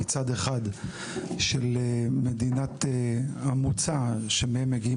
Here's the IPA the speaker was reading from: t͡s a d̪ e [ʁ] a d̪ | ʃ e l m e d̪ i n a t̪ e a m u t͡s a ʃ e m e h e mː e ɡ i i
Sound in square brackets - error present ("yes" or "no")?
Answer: yes